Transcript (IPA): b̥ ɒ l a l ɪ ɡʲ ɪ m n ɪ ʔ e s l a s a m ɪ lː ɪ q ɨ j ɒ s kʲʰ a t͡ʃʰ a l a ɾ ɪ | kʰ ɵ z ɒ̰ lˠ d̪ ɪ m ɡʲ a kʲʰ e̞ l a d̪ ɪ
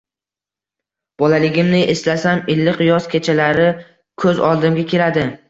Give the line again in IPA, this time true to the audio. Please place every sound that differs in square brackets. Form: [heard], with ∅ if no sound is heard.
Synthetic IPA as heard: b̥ ɒ l a l ɪ ɡʲ ɪ m n ɪ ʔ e s l a s a m ɪ lː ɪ q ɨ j ɒ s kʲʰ [e] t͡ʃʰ a l a ɾ ɪ | kʰ ɵ z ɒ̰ lˠ d̪ ɪ m ɡʲ a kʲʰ e̞ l a d̪ ɪ